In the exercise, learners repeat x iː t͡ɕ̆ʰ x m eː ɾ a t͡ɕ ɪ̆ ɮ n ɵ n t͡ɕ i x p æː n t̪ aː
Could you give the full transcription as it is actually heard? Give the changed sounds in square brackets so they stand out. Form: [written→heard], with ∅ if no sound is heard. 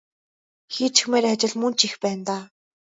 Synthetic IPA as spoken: x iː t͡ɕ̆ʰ x m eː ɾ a t͡ɕ ɪ̆ ɮ [n→m] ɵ n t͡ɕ i x p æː n t̪ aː